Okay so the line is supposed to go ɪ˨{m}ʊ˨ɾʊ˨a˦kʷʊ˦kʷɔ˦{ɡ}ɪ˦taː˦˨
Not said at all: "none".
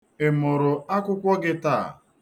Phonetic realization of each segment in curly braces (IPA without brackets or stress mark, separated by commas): m, ɡ